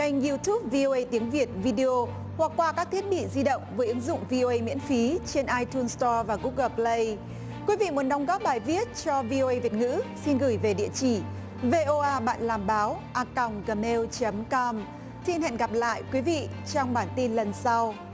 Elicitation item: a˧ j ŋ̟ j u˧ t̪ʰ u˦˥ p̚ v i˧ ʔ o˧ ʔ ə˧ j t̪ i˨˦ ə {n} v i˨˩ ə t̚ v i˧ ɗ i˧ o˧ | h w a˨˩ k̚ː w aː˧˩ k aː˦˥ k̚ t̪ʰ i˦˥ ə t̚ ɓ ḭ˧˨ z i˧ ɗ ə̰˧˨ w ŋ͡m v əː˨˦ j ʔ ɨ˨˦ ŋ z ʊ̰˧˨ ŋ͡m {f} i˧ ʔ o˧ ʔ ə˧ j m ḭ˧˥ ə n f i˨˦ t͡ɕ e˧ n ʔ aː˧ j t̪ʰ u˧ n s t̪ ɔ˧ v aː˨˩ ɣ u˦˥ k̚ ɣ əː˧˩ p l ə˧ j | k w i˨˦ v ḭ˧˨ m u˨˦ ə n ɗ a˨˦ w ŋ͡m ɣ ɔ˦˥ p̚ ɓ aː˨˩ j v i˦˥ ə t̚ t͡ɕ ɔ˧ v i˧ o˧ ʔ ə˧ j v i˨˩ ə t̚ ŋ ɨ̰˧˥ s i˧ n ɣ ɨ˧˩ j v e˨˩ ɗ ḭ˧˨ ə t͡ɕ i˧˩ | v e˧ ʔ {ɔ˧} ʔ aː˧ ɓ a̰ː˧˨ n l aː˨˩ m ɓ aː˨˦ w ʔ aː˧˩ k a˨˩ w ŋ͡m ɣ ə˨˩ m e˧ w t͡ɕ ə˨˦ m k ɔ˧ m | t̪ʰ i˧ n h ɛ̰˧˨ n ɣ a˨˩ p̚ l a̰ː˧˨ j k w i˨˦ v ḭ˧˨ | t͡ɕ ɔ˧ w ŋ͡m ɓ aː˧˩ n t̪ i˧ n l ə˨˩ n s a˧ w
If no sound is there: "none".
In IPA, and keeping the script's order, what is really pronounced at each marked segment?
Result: ŋ, v, o˧

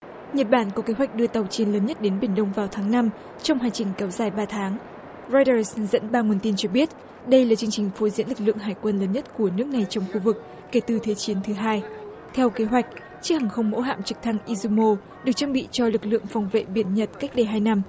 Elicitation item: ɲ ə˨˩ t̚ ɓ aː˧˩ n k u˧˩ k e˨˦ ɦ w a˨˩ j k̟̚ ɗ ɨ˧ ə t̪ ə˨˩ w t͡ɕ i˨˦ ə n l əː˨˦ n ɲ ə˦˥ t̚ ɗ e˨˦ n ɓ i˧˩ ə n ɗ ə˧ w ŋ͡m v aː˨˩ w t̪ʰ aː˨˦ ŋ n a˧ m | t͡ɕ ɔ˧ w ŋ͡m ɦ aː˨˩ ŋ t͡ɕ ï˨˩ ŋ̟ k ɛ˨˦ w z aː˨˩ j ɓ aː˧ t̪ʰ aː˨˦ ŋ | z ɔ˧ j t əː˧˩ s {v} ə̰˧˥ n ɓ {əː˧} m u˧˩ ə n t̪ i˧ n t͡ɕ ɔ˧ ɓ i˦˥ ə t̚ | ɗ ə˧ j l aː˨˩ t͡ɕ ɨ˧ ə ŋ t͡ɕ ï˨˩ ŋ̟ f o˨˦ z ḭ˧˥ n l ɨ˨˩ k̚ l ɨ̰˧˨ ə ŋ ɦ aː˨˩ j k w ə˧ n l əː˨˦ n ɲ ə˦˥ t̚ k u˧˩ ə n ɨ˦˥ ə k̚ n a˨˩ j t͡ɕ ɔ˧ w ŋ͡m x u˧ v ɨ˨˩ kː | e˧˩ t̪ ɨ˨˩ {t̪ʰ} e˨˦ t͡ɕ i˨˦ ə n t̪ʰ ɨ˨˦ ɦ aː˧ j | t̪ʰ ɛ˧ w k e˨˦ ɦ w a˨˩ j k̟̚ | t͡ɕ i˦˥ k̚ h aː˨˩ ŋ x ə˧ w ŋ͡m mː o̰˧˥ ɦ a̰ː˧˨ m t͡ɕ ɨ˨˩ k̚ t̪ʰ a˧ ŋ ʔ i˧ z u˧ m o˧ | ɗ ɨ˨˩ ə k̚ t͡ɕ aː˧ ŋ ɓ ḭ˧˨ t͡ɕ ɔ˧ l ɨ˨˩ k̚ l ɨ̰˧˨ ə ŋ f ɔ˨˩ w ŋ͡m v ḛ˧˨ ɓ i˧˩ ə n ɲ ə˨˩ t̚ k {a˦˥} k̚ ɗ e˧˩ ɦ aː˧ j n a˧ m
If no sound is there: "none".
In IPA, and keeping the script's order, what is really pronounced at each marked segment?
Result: z, aː˧, t̪ʰ, a˦˥

